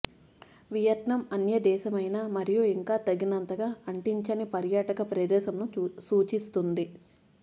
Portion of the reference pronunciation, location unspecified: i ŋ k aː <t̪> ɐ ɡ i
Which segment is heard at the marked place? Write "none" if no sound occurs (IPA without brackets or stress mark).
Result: t̪